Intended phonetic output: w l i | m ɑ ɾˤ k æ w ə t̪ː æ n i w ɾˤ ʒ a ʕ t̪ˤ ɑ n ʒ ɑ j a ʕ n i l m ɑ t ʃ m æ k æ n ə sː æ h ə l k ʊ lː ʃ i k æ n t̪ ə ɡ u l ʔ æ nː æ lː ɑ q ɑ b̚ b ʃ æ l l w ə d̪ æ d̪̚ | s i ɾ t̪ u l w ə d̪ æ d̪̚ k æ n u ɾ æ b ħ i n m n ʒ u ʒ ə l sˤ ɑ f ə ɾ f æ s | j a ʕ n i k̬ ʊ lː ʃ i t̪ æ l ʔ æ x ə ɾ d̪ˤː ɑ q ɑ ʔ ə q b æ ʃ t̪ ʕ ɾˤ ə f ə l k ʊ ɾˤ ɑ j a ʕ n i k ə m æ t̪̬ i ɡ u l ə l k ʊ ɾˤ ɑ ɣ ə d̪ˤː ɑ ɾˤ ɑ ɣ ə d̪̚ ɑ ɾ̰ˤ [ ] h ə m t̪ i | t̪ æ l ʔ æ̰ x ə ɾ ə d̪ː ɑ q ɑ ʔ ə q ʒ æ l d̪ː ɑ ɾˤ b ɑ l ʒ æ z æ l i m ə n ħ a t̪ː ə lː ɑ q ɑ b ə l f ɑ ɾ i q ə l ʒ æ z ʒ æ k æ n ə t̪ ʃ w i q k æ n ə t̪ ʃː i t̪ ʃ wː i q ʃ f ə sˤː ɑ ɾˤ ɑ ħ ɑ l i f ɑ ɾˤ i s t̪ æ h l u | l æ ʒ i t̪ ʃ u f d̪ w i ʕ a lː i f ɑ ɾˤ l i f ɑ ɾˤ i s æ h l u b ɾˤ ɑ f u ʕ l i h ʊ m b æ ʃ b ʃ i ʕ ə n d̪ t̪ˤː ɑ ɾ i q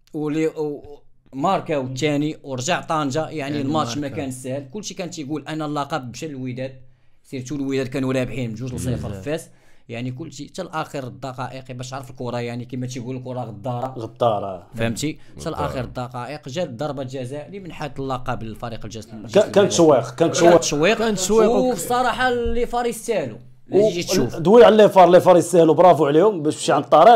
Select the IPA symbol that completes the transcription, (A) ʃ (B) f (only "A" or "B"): B